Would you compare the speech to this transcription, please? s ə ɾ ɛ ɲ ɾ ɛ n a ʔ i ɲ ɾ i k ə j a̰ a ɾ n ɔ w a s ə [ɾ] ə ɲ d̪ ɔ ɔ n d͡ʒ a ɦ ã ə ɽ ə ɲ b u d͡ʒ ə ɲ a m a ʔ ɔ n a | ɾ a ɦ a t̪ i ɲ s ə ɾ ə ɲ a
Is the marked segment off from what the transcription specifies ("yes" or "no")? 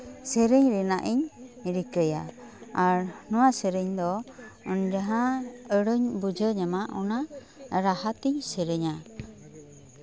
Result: no